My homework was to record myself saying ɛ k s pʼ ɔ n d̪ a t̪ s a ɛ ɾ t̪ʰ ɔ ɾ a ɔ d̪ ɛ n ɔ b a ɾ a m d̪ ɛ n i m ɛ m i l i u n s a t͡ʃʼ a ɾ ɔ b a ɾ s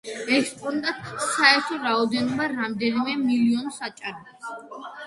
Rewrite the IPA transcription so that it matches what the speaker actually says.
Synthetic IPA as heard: ɛ k s pʼ ɔ n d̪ a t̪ s a ɛ ɾ t̪ʰ ɔ ɾ a ɔ d̪ ɛ n ɔ b a ɾ a m d̪ ɛ n i m ɛ m i l i ɔ n s a t͡ʃʼ a ɾ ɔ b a s

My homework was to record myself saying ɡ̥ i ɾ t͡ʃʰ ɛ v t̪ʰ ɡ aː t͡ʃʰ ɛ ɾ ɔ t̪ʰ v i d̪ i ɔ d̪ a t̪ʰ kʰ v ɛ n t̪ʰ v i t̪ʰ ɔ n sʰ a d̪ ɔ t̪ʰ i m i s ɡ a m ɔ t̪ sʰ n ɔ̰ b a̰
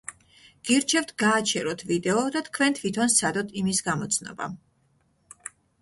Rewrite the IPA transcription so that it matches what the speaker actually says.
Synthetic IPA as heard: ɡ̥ i ɾ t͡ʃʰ ɛ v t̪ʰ ɡ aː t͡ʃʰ ɛ ɾ ɔ t̪ʰ v i d̪ ɛ ɔ d̪ a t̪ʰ kʰ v ɛ n t̪ʰ v i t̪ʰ ɔ n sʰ a d̪ ɔ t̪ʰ i m i s ɡ a m ɔ t̪ sʰ n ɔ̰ b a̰

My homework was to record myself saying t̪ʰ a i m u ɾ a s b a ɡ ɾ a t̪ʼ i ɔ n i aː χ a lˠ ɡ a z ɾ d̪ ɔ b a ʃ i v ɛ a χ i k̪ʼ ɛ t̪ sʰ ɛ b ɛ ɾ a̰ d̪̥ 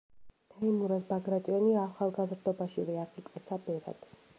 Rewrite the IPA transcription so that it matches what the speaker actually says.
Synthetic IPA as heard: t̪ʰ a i m u ɾ a s b a ɡ ɾ a t̪ʼ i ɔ n i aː χ a lˠ ɡ a z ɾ d̪ ɔ b a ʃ i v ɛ a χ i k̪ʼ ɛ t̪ sʰ a b ɛ ɾ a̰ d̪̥

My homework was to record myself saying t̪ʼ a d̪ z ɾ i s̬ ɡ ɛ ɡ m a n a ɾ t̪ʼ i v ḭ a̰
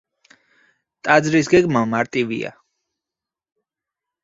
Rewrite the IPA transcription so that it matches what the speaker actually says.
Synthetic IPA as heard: t̪ʼ a d̪ z ɾ i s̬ ɡ ɛ ɡ m a m a ɾ t̪ʼ i v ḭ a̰

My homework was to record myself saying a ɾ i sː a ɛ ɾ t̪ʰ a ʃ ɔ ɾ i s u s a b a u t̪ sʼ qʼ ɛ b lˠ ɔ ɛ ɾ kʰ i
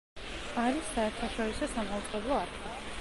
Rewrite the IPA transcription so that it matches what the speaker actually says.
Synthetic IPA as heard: a ɾ i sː a ɛ ɾ t̪ʰ a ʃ ɔ ɾ i s ɔ s a m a u t̪ sʼ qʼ ɛ b lˠ ɔ a ɾ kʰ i

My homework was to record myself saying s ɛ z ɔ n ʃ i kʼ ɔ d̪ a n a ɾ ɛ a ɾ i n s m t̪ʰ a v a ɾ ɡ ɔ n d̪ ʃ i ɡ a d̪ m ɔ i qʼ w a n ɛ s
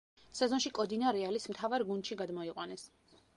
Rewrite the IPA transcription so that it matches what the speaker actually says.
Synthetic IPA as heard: s ɛ z ɔ n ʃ i kʼ ɔ d̪ i n a ɾ ɛ a l i s m t̪ʰ a v a ɾ ɡ u n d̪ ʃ i ɡ a d̪ m ɔ i qʼ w a n ɛ s

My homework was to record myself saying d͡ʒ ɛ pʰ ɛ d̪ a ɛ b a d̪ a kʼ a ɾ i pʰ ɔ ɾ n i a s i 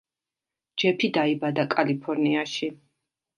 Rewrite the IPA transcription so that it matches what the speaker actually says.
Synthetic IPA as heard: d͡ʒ ɛ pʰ i d̪ a i b a d̪ a kʼ a l i pʰ ɔ ɾ n i a ʃ i

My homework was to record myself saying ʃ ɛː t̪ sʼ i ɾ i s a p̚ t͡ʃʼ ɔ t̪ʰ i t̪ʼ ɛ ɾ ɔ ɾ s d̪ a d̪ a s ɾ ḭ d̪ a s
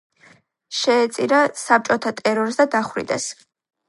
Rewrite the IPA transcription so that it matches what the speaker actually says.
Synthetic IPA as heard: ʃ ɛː t̪ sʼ i ɾ a s a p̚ t͡ʃʼ ɔ t̪ʰ a t̪ʼ ɛ ɾ ɔ ɾ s d̪ a d̪ a χ ɾ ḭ d̪ ɛ s

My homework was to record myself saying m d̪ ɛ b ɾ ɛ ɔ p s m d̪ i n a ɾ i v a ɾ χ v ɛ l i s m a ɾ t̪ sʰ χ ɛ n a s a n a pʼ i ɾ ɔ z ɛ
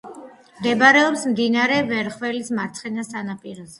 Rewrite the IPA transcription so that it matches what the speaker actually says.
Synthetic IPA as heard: m d̪ ɛ b ɾ ɛ ɔ p s m d̪ i n a ɾ ɛ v ɛ ɾ χ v ɛ l i s m a ɾ t̪ sʰ χ ɛ n a s a n a pʼ i ɾ ɔ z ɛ

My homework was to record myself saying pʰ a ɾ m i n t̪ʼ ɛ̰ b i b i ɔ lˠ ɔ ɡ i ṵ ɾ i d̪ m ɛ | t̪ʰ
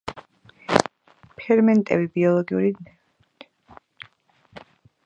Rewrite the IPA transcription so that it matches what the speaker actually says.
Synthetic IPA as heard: pʰ ɛ ɾ m ɛ n t̪ʼ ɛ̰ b i b i ɔ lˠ ɔ ɡ i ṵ ɾ i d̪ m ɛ | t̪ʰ

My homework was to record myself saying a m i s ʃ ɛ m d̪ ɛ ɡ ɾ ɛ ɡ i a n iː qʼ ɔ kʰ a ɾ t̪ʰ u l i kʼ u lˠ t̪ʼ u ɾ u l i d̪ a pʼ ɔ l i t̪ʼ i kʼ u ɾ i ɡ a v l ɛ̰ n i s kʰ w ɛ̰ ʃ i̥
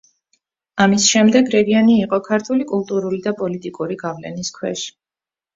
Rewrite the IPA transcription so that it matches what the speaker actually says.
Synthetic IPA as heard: a m i s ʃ ɛ m d̪ ɛ ɡ ɾ ɛ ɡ i a n iː qʼ ɔ kʰ a ɾ t̪ʰ u l i kʼ u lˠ t̪ʼ u ɾ u l i d̪ a pʼ ɔ l i t̪ʼ i kʼ u ɾ i ɡ a v l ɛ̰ n i s kʰ w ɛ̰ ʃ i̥

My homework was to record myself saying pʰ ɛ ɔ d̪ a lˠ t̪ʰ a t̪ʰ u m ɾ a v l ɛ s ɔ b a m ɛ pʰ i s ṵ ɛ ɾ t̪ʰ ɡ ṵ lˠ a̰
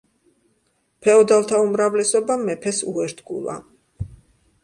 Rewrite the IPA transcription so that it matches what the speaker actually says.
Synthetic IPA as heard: pʰ ɛ ɔ d̪ a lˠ t̪ʰ a u m ɾ a v l ɛ s ɔ b a m ɛ pʰ ɛ s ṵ ɛ ɾ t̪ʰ ɡ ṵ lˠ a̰

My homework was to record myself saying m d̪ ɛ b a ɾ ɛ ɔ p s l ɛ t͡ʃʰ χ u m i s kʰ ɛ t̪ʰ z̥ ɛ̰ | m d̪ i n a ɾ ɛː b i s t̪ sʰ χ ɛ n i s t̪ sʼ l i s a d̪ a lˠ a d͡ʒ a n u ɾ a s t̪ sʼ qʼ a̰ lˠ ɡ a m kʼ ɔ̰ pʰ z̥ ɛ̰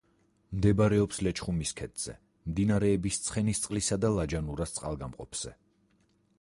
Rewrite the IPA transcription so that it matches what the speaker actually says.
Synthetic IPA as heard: m d̪ ɛ b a ɾ ɛ ɔ p s l ɛ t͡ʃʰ χ u m i s kʰ ɛ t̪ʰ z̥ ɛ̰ | m d̪ i n a ɾ ɛː b i s t̪ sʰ χ ɛ n i s t̪ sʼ l i s a d̪ a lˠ a d͡ʒ a n u ɾ a s t̪ sʼ qʼ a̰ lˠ ɡ a m qʼ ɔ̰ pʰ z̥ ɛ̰

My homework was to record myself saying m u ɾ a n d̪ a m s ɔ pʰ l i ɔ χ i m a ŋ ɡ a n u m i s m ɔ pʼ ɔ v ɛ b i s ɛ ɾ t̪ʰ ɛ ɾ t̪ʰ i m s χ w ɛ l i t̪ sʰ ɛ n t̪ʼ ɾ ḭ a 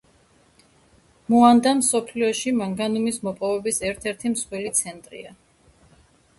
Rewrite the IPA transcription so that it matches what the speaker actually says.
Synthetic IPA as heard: m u a n d̪ a m s ɔ pʰ l i ɔ ʃ i m a ŋ ɡ a n u m i s m ɔ pʼ ɔ v ɛ b i s ɛ ɾ t̪ʰ ɛ ɾ t̪ʰ i m s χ w ɛ l i t̪ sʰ ɛ n t̪ʼ ɾ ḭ a

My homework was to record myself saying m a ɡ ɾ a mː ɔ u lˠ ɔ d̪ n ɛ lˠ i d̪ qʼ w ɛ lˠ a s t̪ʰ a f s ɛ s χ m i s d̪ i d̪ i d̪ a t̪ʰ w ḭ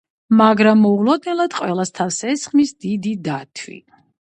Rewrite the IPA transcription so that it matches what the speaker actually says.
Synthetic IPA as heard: m a ɡ ɾ a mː ɔ u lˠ ɔ d̪ n ɛ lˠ a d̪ qʼ w ɛ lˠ a s t̪ʰ a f s ɛ s χ m i s d̪ i d̪ i d̪ a t̪ʰ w ḭ

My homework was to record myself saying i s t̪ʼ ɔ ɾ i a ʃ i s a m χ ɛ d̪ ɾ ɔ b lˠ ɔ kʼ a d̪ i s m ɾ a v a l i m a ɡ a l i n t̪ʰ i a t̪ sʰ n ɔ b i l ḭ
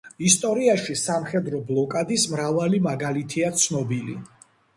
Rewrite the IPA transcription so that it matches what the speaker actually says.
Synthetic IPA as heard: i s t̪ʼ ɔ ɾ i a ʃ i s a m χ ɛ d̪ ɾ ɔ b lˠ ɔ kʼ a d̪ i s m ɾ a v a l i m a ɡ a l i t̪ʰ i a t̪ sʰ n ɔ b i l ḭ

